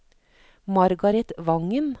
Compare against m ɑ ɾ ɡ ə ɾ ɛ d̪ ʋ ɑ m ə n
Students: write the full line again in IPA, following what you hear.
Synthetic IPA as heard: m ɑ ɾ ɡ ɑ ɾ ɛ t̪ ʋ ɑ ŋ ə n